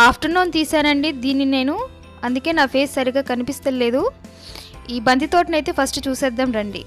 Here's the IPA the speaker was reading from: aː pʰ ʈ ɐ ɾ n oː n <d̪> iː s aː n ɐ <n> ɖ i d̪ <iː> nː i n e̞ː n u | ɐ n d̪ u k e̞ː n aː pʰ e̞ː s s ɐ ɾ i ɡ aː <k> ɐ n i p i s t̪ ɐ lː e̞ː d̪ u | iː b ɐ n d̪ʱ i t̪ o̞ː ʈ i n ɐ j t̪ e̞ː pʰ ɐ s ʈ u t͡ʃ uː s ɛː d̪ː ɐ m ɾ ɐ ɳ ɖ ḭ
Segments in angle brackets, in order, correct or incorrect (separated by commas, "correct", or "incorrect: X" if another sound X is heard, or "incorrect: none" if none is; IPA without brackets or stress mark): incorrect: t̪, incorrect: ɳ, correct, correct